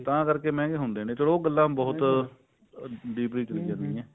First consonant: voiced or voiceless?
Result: voiceless